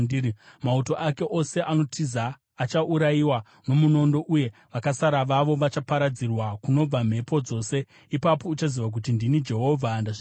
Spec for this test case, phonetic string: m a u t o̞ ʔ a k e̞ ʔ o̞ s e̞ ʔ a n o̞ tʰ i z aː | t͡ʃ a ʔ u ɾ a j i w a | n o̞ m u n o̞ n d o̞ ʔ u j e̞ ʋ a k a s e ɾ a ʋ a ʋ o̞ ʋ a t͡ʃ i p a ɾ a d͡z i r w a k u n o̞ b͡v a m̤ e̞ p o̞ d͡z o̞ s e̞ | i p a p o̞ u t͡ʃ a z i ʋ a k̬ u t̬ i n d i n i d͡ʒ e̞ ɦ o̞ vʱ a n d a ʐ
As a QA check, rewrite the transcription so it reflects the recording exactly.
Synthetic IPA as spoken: m a u t o̞ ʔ a k e̞ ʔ o̞ s e̞ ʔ a n o̞ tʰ i z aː | t͡ʃ a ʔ u ɾ a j i w a | n o̞ m u n o̞ n d o̞ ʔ u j e̞ ʋ a k a s a ɾ a ʋ a ʋ o̞ ʋ a t͡ʃ a p a ɾ a d͡z i r w a k u n o̞ b͡v a m̤ e̞ p o̞ d͡z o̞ s e̞ | i p a p o̞ u t͡ʃ a z i ʋ a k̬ u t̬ i n d i n i d͡ʒ e̞ ɦ o̞ vʱ a n d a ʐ